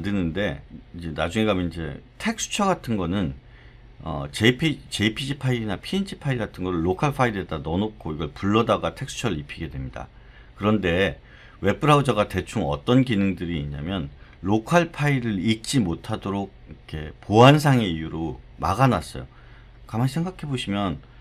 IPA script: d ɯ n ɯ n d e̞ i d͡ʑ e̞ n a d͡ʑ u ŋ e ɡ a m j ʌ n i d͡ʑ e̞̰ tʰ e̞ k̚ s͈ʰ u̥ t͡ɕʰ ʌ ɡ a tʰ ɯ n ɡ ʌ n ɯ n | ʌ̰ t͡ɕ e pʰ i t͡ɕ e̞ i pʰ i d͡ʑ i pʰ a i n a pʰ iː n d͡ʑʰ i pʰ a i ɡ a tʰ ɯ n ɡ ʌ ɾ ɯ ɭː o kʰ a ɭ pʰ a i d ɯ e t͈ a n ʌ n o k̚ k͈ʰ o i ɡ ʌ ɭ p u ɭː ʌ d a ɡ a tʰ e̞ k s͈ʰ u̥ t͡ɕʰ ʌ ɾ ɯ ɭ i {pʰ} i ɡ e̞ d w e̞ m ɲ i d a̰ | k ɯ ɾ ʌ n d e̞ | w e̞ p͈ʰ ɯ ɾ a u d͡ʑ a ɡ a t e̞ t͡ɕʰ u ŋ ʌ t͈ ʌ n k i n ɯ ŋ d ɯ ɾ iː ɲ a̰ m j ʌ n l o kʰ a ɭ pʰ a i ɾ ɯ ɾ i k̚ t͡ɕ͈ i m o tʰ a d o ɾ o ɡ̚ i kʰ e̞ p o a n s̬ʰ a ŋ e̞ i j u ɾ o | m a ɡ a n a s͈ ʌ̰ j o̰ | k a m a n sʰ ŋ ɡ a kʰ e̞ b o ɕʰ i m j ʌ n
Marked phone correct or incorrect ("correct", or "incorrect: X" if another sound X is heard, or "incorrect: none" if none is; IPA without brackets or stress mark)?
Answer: correct